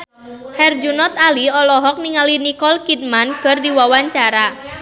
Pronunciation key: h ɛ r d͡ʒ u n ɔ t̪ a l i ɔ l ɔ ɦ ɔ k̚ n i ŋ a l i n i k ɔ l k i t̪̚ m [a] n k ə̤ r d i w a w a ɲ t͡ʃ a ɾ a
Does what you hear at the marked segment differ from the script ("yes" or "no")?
no